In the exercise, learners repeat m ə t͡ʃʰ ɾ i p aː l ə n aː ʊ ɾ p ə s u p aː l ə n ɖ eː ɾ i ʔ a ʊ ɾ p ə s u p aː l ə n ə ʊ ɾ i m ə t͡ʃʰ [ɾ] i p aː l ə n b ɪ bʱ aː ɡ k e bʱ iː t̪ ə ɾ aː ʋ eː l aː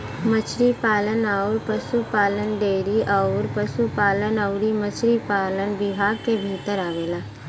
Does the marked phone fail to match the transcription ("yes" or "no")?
no